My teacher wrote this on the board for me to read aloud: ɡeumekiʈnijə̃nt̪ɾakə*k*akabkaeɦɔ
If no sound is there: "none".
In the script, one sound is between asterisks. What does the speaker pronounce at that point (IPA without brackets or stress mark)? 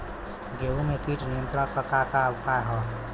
k